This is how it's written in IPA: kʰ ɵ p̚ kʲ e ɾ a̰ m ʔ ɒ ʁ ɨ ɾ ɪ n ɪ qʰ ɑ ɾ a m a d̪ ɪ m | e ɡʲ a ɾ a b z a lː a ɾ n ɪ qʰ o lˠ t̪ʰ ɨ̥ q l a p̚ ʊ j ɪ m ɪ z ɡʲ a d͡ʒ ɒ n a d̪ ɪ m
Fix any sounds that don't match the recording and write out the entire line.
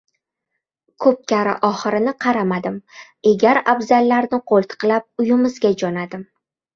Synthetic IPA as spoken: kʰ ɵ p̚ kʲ a ɾ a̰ ʔ ɒ χ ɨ ɾ ɪ n ɪ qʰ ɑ ɾ a m a d̪ ɪ m | e ɡʲ a ɾ a b z a lː a ɾ n ɪ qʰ o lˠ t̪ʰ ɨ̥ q l a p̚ ʊ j ɪ m ɪ z ɡʲ a d͡ʒ ɒ n a d̪ ɪ m

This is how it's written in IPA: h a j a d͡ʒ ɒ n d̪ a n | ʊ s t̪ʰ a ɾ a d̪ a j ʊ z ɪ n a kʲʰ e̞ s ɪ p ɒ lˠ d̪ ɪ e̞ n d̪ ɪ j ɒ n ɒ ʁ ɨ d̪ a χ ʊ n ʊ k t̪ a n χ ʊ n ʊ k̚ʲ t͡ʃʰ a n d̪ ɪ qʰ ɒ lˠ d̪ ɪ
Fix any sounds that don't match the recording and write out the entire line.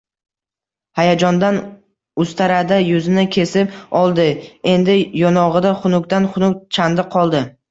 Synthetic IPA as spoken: h a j a d͡ʒ ɒ n d̪ a n | ʊ s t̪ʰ a ɾ a d̪ a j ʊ z ɪ n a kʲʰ e̞ s ɪ p ɒ lˠ d̪ ɪ e̞ n d̪ ɪ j ɒ n ɒ ʁ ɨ d̪ a χ ʊ n ʊ k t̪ a n χ ʊ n ʊ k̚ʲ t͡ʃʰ a n d̪ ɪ qʰ ɒ lˠ d̪ ɪ

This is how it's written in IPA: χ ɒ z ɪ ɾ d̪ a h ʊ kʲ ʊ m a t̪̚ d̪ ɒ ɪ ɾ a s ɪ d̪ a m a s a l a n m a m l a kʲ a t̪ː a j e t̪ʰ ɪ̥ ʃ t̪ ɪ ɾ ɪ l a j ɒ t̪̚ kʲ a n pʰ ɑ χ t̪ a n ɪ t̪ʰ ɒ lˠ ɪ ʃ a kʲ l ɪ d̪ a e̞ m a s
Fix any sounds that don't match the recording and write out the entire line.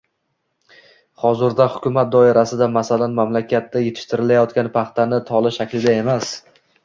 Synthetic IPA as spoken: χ ɒ z ɪ ɾ d̪ a h ʊ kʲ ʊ m a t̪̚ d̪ ɒ ɪ ɾ a s ɪ d̪ a m a s a l a n m a m l a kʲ a t̪ː a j e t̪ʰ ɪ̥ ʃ t̪ ɪ ɾ ɪ l a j ɒ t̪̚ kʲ a n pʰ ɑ χ t̪ a n ɪ t̪ʰ ɒ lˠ ɪ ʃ a kʲ l ɪ d̪ a e̞ m a s

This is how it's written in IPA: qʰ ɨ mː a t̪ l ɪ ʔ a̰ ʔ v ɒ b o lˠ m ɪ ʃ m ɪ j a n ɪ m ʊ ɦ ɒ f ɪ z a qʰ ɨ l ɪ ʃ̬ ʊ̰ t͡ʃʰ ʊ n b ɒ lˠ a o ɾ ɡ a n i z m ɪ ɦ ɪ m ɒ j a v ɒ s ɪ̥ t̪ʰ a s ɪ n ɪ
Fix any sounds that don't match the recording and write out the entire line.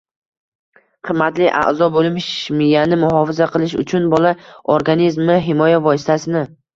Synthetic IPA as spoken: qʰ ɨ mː a t̪ l ɪ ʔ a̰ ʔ z ɒ b o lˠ m ɪ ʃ m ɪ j a n ɪ m ʊ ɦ ɒ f ɪ z a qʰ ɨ l ɪ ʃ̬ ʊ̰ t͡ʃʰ ʊ n b ɒ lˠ a o ɾ ɡ a n i z m ɪ ɦ ɪ m ɒ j a v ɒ s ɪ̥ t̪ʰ a s ɪ n ɪ

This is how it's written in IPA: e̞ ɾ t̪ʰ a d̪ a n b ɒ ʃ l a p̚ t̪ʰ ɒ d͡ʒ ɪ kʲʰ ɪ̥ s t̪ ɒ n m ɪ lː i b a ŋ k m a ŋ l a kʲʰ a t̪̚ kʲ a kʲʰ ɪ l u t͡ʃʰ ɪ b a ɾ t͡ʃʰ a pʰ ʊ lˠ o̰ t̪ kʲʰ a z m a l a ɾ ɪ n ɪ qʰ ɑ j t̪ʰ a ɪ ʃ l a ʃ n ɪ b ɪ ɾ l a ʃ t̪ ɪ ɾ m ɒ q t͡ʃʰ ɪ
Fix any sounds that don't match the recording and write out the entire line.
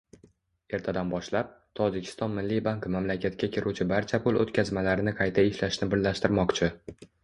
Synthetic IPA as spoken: e̞ ɾ t̪ʰ a d̪ a n b ɒ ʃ l a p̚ t̪ʰ ɒ d͡ʒ ɪ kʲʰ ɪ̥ s t̪ ɒ n m ɪ lː i b a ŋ k m a m l a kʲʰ a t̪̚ kʲ a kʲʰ ɪ ɾ u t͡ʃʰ ɪ b a ɾ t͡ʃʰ a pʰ ʊ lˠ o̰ t̪ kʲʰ a z m a l a ɾ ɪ n ɪ qʰ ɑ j t̪ʰ a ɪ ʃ l a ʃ n ɪ b ɪ ɾ l a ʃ t̪ ɪ ɾ m ɒ q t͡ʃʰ ɪ

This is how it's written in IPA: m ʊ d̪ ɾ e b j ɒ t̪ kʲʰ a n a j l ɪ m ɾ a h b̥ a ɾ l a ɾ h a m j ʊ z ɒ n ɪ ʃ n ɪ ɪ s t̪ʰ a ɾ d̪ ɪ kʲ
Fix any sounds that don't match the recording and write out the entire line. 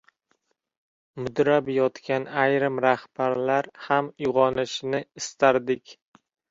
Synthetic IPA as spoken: m ʊ d̪ ɾ a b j ɒ t̪ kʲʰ a n a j ɾ ɪ m ɾ a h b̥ a ɾ l a ɾ h a m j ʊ ʁ ɒ n ɪ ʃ n ɪ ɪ s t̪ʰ a ɾ d̪ ɪ kʲ

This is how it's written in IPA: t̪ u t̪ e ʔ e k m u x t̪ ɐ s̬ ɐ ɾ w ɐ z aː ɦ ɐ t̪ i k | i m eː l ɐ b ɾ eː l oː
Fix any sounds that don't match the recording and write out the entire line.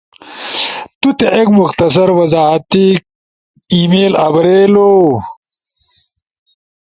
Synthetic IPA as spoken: t̪ u t̪ e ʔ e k m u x t̪ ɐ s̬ ɐ ɾ w ɐ z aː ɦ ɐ t̪ i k | i m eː l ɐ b ɾ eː l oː

